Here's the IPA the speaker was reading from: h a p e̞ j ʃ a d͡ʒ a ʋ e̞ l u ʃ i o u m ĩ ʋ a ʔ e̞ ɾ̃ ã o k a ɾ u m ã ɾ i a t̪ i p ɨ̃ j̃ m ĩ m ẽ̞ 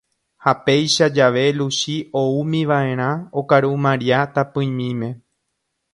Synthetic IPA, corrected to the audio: h a p e̞ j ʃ a d͡ʒ a ʋ e̞ l u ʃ i o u m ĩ ʋ a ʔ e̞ ɾ̃ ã o k a ɾ u m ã ɾ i a t̪ a p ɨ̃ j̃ m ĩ m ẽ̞